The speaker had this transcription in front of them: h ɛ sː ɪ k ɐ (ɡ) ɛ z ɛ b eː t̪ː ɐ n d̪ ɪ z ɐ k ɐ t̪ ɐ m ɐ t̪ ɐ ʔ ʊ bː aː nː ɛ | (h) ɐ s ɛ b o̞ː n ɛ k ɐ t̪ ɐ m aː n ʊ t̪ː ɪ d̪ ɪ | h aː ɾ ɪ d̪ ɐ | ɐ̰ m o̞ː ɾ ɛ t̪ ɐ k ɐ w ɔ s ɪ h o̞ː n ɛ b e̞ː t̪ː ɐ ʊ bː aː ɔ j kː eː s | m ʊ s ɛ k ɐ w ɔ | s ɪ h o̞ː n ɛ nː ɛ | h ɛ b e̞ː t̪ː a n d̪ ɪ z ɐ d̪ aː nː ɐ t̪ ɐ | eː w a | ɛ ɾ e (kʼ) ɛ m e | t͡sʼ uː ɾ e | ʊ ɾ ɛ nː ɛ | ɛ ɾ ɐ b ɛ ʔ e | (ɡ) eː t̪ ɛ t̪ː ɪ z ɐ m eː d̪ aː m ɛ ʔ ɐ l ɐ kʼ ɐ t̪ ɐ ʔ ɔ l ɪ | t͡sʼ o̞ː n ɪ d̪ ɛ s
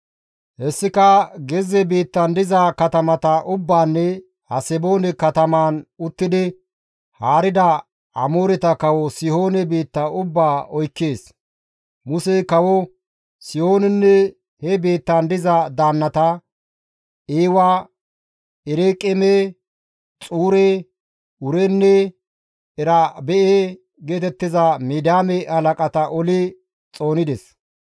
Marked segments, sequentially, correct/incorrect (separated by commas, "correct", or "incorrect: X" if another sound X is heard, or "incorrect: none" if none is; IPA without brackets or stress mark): correct, correct, correct, correct